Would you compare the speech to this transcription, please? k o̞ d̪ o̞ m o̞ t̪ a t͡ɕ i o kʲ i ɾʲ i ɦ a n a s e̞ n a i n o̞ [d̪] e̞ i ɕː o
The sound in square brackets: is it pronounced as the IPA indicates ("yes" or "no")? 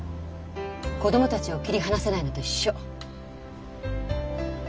yes